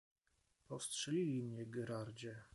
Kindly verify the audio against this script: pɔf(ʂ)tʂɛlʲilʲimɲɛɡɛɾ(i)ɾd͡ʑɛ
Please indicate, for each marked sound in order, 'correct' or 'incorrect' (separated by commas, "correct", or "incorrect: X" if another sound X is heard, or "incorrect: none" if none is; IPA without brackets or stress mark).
incorrect: s, incorrect: a